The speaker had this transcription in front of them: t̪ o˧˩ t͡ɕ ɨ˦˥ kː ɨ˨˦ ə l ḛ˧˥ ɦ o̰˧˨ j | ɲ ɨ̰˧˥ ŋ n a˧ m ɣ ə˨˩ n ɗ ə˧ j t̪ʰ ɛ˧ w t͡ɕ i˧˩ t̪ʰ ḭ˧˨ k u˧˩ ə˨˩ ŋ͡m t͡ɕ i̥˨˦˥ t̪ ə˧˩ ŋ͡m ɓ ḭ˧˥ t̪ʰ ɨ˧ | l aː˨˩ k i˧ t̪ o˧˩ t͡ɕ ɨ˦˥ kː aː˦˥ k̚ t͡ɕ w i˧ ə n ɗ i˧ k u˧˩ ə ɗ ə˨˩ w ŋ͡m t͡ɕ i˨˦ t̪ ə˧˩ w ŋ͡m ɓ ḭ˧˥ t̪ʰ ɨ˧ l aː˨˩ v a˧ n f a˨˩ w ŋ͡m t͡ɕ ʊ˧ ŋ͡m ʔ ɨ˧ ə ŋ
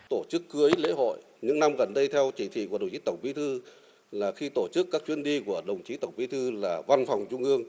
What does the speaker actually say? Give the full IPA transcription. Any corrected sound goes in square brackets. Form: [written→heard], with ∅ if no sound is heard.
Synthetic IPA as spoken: t̪ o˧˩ t͡ɕ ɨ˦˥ kː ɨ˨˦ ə l ḛ˧˥ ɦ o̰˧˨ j | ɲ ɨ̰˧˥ ŋ n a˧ m ɣ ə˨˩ n ɗ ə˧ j t̪ʰ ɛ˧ w t͡ɕ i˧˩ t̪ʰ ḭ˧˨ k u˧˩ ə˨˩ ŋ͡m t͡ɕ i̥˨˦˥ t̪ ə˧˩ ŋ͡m ɓ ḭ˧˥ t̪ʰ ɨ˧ | l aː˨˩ [k→x] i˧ t̪ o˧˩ t͡ɕ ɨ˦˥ kː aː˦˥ k̚ t͡ɕ w i˧ ə n ɗ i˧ k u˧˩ ə ɗ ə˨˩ w ŋ͡m t͡ɕ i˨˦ t̪ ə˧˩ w ŋ͡m ɓ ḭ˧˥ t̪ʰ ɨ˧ l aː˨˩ v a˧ n f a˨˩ w ŋ͡m t͡ɕ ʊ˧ ŋ͡m ʔ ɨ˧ ə ŋ

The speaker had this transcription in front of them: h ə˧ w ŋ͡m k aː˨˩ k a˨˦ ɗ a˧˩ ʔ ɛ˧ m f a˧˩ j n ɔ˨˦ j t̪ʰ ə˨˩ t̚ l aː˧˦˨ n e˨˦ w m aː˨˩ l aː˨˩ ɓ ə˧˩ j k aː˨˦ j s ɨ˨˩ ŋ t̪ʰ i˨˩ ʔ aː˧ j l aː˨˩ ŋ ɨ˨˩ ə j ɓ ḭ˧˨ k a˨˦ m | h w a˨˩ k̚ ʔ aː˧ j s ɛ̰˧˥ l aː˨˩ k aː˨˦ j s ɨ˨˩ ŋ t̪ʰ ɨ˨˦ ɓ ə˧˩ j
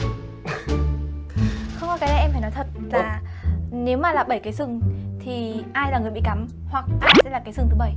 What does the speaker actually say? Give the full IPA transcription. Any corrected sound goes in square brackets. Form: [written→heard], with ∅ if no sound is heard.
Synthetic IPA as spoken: [h→x] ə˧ w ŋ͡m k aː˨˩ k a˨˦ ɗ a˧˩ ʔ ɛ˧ m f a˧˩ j n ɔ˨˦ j t̪ʰ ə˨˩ t̚ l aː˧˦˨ n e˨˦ w m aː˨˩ l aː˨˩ ɓ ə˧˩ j k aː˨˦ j s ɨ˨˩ ŋ t̪ʰ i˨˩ ʔ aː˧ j l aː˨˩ ŋ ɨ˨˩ ə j ɓ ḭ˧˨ k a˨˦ m | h w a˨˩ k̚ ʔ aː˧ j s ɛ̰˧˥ l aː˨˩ k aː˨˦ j s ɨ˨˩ ŋ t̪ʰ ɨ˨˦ ɓ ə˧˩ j

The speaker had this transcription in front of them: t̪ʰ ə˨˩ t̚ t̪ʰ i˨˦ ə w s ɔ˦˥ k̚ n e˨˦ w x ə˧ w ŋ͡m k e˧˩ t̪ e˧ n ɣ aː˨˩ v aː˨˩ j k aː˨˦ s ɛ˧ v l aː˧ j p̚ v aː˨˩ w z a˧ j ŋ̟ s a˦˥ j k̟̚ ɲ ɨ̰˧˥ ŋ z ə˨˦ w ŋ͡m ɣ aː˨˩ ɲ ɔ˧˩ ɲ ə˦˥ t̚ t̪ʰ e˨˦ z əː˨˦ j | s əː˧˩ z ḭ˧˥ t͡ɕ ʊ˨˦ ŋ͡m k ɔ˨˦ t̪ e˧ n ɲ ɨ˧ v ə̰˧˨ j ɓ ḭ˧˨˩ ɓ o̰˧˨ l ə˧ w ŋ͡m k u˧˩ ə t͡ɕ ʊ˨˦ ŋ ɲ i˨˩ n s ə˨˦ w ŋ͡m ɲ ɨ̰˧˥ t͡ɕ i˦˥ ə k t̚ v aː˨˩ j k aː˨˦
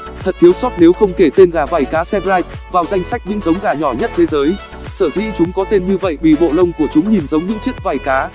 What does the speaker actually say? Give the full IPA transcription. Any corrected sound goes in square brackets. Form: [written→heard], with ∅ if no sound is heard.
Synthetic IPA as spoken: t̪ʰ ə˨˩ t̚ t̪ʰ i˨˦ ə w s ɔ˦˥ [k̚→t̚] n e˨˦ w x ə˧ w ŋ͡m k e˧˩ t̪ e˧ n ɣ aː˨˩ v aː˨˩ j k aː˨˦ s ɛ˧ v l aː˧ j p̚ v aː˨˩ w z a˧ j ŋ̟ s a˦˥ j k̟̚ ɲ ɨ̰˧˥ ŋ z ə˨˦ w ŋ͡m ɣ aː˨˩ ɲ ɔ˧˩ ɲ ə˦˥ t̚ t̪ʰ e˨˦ z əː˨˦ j | s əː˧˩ z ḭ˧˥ t͡ɕ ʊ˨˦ ŋ͡m k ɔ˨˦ t̪ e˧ n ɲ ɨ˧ v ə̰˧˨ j ɓ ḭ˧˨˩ ɓ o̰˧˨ l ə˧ w ŋ͡m k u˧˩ ə t͡ɕ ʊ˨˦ [ŋ→ŋ͡m] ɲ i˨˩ n [s→z] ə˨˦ w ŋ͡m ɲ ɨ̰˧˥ t͡ɕ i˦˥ ə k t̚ v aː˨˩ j k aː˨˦

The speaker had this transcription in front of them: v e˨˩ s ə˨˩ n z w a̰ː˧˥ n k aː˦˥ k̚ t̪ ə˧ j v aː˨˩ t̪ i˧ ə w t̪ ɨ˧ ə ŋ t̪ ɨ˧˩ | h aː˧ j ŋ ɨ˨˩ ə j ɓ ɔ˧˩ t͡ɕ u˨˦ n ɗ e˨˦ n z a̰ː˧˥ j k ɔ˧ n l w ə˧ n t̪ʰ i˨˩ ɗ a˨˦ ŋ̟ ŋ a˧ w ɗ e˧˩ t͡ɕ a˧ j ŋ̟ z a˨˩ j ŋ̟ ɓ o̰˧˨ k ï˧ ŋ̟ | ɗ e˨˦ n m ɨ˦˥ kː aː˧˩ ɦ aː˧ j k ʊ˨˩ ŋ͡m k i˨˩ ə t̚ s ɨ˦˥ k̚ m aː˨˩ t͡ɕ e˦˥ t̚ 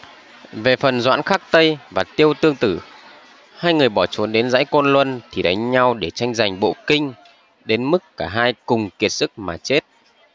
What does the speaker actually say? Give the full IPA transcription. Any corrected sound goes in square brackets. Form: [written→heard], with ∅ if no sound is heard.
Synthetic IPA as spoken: v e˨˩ [s→f] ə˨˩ n z w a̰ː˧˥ n [k→x] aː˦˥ k̚ t̪ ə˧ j v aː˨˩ t̪ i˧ ə w t̪ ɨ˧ ə ŋ t̪ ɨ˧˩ | h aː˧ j ŋ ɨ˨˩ ə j ɓ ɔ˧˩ t͡ɕ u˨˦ n ɗ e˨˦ n z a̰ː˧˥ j k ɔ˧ n l w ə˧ n t̪ʰ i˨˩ ɗ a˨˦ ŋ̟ [ŋ→ɲ] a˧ w ɗ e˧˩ t͡ɕ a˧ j ŋ̟ z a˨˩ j ŋ̟ ɓ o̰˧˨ k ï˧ ŋ̟ | ɗ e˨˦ n m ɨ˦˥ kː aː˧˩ ɦ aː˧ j k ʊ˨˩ ŋ͡m k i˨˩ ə t̚ s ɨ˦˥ k̚ m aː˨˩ t͡ɕ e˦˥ t̚

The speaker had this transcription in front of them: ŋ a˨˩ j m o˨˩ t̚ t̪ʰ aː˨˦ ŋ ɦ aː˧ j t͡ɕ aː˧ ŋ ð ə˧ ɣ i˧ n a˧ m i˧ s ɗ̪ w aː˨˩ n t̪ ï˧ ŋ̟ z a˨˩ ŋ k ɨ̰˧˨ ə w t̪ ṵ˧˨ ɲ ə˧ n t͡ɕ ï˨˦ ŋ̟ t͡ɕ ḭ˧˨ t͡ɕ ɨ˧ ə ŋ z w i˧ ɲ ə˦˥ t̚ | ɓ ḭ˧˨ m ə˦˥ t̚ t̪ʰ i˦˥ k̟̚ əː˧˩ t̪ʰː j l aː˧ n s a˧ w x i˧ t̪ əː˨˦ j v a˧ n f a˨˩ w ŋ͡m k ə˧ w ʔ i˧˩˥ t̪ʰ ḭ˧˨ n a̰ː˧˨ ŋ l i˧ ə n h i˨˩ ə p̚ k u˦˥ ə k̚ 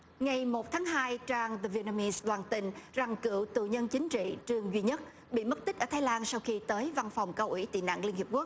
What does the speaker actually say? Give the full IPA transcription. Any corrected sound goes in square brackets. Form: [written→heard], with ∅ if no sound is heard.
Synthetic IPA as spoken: ŋ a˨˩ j m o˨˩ t̚ t̪ʰ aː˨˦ ŋ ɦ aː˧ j t͡ɕ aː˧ ŋ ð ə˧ [ɣ→v] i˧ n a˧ m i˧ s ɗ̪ w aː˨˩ n t̪ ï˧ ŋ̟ z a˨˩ ŋ k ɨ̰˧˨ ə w t̪ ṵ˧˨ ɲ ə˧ n t͡ɕ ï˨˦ ŋ̟ t͡ɕ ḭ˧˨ t͡ɕ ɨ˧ ə ŋ z w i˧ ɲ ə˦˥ t̚ | ɓ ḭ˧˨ m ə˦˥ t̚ [t̪ʰ→t̪] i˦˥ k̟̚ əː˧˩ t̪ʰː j l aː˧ n s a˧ w x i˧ t̪ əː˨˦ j v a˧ n f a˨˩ w ŋ͡m k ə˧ w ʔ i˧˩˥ [t̪ʰ→t̪] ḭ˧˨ n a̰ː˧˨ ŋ l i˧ ə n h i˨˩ ə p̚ k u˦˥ ə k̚

